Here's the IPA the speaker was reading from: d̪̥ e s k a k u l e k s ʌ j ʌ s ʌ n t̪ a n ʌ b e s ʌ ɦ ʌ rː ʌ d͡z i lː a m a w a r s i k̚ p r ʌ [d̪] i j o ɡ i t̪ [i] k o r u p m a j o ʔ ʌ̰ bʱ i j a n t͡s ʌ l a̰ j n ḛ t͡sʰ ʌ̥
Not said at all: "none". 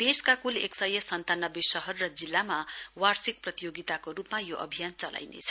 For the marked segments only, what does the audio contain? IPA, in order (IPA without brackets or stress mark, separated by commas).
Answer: t̪, a